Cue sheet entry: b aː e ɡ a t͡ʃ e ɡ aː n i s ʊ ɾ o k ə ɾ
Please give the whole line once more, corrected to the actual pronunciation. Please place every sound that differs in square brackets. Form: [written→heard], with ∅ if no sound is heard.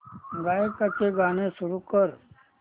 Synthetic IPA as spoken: [b→ɡ] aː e [ɡ→k] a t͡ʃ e ɡ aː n [i→e] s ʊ ɾ [o→u] k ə ɾ